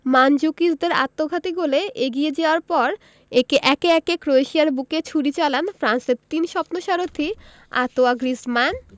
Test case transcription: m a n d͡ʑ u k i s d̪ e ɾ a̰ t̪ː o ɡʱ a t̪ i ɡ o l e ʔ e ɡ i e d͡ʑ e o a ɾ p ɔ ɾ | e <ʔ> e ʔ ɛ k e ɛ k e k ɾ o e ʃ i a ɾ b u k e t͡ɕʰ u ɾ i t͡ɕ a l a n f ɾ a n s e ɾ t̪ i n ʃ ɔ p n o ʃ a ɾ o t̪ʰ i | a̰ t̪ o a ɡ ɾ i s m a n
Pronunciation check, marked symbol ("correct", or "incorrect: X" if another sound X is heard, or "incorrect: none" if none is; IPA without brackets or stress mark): incorrect: k